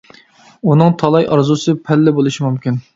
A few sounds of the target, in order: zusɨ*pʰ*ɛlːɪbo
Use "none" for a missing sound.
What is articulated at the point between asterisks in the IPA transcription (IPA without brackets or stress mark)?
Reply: pʰ